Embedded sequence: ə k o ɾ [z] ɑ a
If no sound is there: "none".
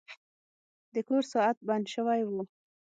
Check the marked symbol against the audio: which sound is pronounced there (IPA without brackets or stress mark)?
s